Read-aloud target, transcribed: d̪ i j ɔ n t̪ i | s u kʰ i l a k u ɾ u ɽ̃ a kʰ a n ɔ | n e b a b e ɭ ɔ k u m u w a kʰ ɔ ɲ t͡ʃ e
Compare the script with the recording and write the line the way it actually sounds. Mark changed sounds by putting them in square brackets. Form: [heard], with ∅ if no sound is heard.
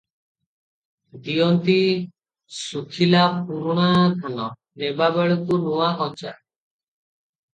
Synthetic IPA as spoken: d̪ i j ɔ n t̪ i | s u kʰ i l a [p] u ɾ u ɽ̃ a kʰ a n ɔ | n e b a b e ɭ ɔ k u [n] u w a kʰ ɔ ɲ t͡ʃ [a]

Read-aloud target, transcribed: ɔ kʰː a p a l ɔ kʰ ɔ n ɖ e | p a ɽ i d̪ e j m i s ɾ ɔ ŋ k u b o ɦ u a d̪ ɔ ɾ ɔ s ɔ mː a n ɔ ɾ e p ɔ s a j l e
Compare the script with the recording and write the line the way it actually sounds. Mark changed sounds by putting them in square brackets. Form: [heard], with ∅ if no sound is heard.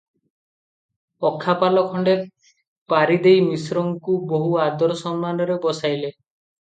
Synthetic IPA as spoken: ɔ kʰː a p a l ɔ kʰ ɔ [ɳ] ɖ e | p a [ɾ] i d̪ e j m i s ɾ ɔ ŋ k u b o ɦ u a d̪ ɔ ɾ ɔ s ɔ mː a n ɔ ɾ e [b] ɔ s a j l e

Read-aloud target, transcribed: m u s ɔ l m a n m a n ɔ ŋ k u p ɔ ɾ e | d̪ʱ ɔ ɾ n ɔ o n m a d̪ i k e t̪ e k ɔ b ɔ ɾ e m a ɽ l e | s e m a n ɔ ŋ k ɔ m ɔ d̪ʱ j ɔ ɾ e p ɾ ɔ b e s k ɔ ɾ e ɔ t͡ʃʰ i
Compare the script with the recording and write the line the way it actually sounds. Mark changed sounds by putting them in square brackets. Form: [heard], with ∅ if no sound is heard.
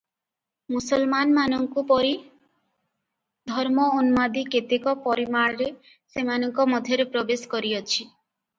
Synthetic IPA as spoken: m u s ɔ l m a n m a n ɔ ŋ k u p ɔ ɾ [i] | d̪ʱ ɔ ɾ [m] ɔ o n m a d̪ i k e t̪ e k ɔ [p] ɔ ɾ [i] m a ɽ [ɾ] e | s e m a n ɔ ŋ k ɔ m ɔ d̪ʱ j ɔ ɾ e p ɾ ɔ b e s k ɔ ɾ [i] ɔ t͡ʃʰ i

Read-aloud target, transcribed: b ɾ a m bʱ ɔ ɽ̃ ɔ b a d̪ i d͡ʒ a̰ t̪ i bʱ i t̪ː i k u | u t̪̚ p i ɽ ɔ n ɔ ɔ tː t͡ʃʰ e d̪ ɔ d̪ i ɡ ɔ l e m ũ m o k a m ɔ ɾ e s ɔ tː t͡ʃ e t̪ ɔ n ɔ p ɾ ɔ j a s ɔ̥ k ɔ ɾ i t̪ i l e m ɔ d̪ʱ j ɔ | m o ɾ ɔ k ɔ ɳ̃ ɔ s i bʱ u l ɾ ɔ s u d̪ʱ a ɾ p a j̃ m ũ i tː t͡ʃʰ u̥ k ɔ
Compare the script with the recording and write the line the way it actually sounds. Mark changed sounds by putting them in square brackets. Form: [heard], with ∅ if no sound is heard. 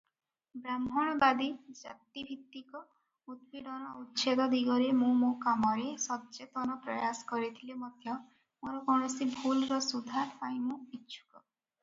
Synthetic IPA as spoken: b ɾ a m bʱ ɔ ɽ̃ ɔ b a d̪ i d͡ʒ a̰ t̪ i bʱ i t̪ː i k [ɔ] | u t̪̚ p i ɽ ɔ n ɔ [u] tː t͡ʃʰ e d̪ ɔ d̪ i ɡ ɔ [ɾ] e m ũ m o k a m ɔ ɾ e s ɔ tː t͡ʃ e t̪ ɔ n ɔ p ɾ ɔ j a s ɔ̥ k ɔ ɾ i [t̪ʰ] i l e m ɔ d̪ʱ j ɔ | m o ɾ ɔ k ɔ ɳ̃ ɔ s i bʱ u l ɾ ɔ s u d̪ʱ a ɾ p a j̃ m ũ i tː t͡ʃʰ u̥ k ɔ

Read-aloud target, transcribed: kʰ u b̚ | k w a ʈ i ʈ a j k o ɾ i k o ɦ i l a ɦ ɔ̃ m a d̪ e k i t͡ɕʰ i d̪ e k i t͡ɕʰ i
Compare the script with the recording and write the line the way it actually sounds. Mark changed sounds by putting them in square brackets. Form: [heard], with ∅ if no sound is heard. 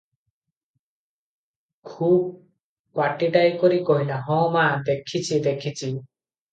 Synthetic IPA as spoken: kʰ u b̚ | k w a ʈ i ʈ a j k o ɾ i k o ɦ i l a ɦ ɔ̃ m a d̪ e [kʰ] i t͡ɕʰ i d̪ e [kʰ] i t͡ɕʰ i

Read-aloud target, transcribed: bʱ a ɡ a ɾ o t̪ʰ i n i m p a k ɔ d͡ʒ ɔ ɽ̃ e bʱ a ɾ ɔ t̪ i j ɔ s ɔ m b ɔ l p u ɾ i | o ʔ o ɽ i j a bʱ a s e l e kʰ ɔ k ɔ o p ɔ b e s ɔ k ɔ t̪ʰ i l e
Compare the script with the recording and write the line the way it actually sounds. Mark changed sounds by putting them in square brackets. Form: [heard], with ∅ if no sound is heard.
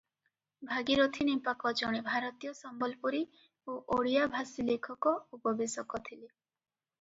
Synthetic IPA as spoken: bʱ a ɡ [i] ɾ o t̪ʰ i n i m p a k ɔ d͡ʒ ɔ ɽ̃ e bʱ a ɾ ɔ t̪ i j ɔ s ɔ m b ɔ l p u ɾ i | o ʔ o ɽ i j a bʱ a s [i] l e kʰ ɔ k ɔ [u] p ɔ b e s ɔ k ɔ t̪ʰ i l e

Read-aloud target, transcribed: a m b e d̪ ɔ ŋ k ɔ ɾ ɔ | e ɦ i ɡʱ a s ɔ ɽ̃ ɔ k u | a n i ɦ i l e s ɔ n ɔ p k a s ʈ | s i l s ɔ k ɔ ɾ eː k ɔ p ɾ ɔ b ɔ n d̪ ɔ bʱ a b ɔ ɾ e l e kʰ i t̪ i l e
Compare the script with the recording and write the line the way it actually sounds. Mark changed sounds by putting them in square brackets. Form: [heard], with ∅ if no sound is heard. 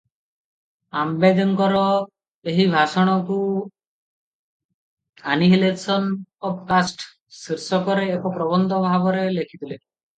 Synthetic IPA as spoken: a m b e d̪ ɔ ŋ k ɔ ɾ ɔ | e ɦ i [bʱ] a s ɔ ɽ̃ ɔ k u | a n i ɦ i l e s ɔ n ɔ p k a s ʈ | s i [ɾ] s ɔ k ɔ ɾ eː k ɔ p ɾ ɔ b ɔ n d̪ ɔ bʱ a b ɔ ɾ e l e kʰ i t̪ i l e

